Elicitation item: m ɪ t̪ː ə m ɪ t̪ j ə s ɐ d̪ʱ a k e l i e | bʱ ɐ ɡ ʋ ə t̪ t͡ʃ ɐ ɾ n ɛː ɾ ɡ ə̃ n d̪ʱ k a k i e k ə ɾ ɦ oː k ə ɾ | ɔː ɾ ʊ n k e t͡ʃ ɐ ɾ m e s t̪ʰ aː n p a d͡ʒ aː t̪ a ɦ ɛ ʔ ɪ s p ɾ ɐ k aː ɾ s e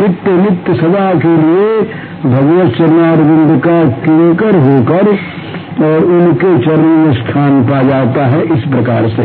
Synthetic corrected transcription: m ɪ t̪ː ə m ɪ t̪ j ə s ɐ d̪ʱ a k e l i e | bʱ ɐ ɡ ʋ ə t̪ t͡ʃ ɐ ɾ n aː ɾ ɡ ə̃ n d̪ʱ k a k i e k ə ɾ ɦ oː k ə ɾ | ɔː ɾ ʊ n k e t͡ʃ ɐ ɾ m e s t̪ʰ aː n p a d͡ʒ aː t̪ a ɦ ɛ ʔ ɪ s p ɾ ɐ k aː ɾ s e